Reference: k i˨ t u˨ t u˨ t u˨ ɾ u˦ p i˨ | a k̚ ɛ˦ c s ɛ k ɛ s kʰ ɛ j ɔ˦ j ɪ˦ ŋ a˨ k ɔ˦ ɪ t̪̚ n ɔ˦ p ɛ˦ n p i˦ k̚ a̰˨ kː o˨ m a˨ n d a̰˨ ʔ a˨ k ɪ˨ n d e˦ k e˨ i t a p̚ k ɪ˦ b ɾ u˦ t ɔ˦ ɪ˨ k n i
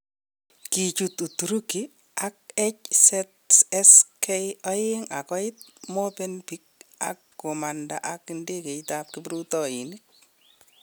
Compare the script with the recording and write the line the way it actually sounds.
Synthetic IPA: k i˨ t͡ʃ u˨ t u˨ t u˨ ɾ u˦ k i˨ | a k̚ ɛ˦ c s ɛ t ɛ s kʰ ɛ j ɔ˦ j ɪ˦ ŋ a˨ k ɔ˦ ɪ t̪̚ m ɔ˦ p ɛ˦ n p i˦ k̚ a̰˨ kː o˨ m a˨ n d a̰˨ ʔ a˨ k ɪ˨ n d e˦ k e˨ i t a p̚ k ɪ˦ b ɾ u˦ t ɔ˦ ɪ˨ n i